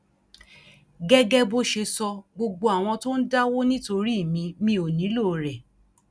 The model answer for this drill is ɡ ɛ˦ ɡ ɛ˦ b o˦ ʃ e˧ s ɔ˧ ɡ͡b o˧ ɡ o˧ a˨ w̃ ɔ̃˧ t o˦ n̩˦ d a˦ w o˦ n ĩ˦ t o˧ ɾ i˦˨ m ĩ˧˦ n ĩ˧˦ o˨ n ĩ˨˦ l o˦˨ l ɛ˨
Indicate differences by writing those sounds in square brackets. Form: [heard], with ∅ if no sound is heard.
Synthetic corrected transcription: ɡ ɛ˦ ɡ ɛ˦ b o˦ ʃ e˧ s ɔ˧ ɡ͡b o˧ [ɡ͡b] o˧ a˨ w̃ ɔ̃˧ t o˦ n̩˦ d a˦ w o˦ n ĩ˦ t o˧ ɾ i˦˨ m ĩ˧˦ [m] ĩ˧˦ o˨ n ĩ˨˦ l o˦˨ [ɾ] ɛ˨